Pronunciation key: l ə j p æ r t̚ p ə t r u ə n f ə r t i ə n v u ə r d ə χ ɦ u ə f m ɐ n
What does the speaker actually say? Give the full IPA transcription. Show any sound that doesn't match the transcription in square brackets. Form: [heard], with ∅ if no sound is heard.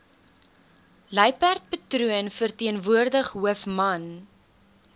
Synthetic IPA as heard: l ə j p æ r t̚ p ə t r u ə n f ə r t i ə n v u ə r d ə χ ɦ u ə f m ɐ n